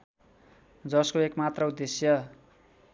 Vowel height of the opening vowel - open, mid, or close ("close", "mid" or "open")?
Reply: mid